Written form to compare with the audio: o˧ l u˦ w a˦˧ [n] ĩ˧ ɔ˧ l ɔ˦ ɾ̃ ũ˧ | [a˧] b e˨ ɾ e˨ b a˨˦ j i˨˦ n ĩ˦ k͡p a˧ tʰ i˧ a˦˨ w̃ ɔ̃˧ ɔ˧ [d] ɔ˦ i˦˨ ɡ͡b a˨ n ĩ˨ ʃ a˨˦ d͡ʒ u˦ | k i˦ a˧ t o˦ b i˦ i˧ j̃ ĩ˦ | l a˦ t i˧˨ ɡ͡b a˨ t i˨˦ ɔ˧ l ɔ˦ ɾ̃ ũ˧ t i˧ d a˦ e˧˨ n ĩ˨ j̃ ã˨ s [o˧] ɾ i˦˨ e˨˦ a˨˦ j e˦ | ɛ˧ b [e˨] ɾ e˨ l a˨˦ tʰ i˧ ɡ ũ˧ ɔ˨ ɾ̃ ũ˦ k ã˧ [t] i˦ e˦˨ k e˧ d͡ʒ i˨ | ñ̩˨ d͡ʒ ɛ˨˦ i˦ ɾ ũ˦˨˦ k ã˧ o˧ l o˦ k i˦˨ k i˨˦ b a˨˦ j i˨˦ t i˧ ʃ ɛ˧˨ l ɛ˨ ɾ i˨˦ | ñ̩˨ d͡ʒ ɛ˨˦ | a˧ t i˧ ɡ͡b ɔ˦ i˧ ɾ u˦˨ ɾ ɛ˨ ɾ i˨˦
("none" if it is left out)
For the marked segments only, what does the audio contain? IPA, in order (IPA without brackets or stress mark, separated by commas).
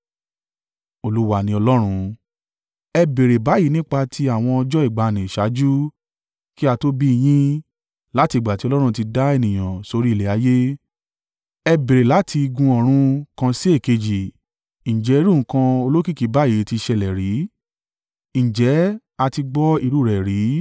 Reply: n, ɛ˧, d͡ʒ, o˧, e˨, s